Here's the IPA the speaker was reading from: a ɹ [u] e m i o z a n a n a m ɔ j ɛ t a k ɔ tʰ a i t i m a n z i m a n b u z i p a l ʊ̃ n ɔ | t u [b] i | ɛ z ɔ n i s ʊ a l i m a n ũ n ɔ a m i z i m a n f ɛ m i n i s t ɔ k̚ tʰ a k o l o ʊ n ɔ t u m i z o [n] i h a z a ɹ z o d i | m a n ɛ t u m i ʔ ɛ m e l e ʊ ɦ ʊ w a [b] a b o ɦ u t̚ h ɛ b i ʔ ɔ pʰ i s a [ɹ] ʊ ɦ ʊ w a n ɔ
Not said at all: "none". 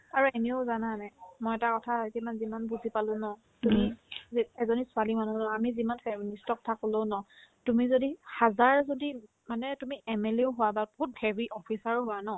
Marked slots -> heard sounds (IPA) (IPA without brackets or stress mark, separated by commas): u, m, d, b, ɹ